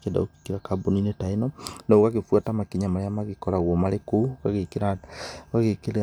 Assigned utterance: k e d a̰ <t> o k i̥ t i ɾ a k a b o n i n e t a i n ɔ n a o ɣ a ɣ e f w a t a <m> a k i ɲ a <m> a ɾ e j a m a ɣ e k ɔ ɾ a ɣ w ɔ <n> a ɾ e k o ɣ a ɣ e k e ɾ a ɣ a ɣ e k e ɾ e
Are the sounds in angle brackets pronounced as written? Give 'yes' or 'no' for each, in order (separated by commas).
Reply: no, yes, yes, no